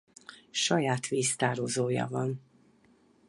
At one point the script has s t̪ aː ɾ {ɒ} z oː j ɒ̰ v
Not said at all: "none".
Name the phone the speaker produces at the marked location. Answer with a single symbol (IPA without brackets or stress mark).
o